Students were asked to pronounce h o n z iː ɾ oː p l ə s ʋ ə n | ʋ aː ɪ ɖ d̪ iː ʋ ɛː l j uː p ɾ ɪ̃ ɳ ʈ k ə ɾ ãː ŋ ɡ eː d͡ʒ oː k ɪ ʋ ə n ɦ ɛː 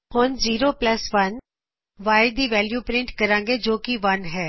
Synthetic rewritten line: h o n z iː ɾ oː p l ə s ʋ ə n | ʋ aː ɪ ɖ d̪ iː ʋ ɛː l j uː p ɾ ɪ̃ ɳ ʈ k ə ɾ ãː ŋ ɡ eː d͡ʒ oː k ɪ ʋ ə n ɦ ɛː